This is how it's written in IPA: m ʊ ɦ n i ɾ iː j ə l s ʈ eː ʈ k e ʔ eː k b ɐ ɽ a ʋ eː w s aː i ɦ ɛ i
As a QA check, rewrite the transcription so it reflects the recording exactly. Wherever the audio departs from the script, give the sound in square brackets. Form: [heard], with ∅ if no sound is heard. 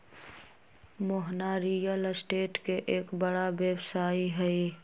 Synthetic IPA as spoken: m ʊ ɦ n [a] ɾ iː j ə l s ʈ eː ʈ k e ʔ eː k b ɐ ɽ a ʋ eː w s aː i ɦ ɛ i